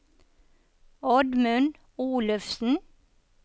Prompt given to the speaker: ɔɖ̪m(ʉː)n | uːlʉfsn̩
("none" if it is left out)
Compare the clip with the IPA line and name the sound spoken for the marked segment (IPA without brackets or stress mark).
ʉ